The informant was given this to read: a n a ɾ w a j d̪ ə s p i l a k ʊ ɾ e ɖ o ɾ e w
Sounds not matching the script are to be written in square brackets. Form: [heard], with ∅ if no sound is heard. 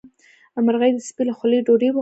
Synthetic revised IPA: a [m] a ɾ [ɣ] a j d̪ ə s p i l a [x] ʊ [l] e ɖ o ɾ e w